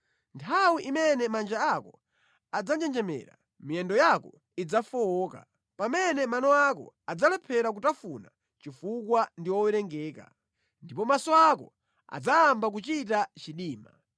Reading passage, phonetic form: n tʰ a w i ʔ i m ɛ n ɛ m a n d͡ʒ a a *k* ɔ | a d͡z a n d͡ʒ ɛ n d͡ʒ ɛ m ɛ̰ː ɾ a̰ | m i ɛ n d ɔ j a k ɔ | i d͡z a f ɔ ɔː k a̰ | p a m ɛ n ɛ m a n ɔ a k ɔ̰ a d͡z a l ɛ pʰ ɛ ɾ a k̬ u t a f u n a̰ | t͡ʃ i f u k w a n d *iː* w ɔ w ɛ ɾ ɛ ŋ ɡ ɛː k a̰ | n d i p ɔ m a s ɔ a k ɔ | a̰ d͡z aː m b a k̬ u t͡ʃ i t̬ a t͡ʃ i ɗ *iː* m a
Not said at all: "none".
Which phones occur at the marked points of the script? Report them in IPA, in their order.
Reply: k, i, iː

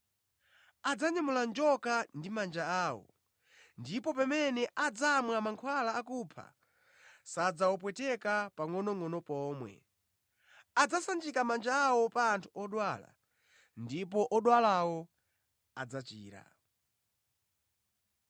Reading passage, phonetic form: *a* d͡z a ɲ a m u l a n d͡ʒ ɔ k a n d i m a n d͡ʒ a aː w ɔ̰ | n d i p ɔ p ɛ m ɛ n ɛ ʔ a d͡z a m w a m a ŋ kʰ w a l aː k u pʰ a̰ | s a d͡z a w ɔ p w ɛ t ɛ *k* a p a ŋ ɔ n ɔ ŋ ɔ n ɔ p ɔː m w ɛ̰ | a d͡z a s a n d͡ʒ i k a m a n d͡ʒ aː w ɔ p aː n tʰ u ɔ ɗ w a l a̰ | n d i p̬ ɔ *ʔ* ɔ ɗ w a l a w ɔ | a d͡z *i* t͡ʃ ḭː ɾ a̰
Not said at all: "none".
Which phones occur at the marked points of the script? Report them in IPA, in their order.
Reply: a, k, ʔ, a

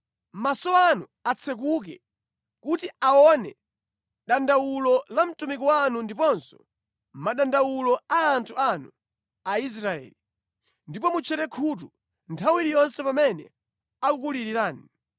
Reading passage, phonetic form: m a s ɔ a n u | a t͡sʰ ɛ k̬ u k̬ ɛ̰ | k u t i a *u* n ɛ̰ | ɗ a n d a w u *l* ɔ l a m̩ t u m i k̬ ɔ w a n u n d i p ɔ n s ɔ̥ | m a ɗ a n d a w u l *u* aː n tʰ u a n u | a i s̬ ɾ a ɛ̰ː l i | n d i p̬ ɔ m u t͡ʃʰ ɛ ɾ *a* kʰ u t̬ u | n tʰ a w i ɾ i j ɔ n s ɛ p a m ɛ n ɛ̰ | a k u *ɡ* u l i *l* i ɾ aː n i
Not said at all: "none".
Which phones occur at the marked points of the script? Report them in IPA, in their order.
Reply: ɔ, l, ɔ, ɛ, k, ɾ

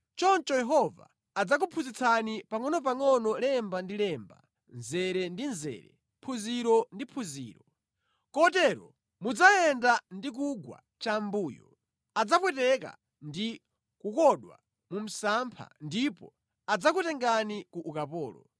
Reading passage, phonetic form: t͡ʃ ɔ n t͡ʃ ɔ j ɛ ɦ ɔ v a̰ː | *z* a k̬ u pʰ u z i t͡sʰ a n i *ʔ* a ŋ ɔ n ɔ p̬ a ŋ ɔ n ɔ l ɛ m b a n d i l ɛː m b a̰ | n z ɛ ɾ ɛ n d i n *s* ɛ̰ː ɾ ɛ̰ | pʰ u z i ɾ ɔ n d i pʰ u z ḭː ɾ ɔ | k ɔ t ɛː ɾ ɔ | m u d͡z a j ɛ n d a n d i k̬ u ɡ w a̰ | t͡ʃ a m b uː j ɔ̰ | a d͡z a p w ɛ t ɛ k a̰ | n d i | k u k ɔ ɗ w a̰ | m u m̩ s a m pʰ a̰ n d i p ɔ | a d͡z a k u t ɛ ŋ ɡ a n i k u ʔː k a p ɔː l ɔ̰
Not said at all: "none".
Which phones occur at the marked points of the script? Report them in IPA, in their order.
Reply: d͡z, p, z

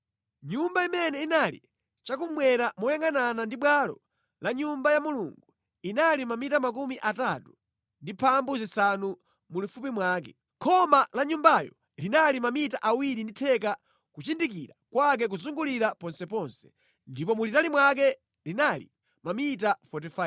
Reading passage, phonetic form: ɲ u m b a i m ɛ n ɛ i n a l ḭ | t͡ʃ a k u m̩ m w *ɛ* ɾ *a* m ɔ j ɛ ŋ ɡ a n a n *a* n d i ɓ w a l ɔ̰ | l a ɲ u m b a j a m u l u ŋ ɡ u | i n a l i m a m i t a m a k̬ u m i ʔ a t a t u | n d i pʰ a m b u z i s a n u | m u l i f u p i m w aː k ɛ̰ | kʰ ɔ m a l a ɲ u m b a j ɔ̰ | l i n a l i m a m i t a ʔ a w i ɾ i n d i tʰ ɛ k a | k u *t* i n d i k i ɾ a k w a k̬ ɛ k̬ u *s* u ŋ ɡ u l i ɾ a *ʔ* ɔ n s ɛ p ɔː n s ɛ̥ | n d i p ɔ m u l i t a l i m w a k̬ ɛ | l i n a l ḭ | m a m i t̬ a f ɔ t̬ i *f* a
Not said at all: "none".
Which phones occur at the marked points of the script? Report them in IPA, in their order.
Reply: ɛ, a, a, t͡ʃ, z, p, f

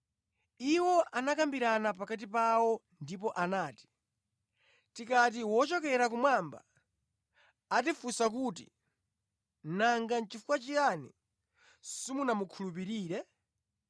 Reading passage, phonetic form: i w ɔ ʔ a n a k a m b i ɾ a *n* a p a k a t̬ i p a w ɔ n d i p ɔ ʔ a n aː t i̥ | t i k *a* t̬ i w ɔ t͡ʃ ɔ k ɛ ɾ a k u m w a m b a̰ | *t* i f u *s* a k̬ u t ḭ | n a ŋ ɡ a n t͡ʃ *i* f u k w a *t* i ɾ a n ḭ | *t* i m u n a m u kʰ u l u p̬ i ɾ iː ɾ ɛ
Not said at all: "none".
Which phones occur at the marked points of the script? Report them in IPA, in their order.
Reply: n, a, t, s, i, t͡ʃ, s

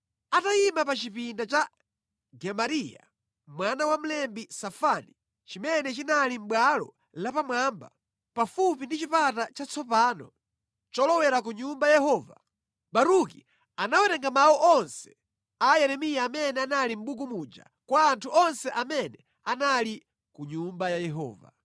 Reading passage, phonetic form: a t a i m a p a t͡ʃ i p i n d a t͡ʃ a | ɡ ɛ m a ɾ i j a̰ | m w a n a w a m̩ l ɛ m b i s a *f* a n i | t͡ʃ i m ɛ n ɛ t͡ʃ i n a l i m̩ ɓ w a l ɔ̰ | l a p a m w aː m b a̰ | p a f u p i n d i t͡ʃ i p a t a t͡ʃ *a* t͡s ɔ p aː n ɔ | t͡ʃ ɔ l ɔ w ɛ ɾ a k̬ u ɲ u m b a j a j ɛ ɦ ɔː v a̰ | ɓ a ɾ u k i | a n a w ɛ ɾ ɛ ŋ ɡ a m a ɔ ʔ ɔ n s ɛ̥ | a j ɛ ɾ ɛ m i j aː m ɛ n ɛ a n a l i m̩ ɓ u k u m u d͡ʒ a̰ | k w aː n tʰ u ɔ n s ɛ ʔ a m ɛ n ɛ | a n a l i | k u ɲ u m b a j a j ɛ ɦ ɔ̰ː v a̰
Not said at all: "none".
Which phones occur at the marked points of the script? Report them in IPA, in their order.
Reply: f, a

